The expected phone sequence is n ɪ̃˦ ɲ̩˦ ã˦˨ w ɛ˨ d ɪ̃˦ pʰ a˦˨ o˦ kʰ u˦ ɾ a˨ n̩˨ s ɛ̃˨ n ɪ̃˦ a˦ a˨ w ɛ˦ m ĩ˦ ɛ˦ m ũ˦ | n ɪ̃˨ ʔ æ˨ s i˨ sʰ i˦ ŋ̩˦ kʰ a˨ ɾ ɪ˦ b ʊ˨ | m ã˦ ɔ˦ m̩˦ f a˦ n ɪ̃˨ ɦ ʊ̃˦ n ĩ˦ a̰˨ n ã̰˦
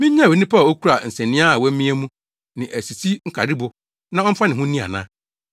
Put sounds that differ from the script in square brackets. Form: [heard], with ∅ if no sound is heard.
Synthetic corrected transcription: [m] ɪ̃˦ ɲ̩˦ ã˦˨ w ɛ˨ [n] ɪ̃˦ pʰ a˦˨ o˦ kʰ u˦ ɾ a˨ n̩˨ s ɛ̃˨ n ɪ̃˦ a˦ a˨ w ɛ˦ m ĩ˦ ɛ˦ m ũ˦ | n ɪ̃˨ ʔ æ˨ s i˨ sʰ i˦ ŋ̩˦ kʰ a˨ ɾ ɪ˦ b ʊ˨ | [n] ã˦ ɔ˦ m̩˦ f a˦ n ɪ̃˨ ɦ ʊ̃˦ n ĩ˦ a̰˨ n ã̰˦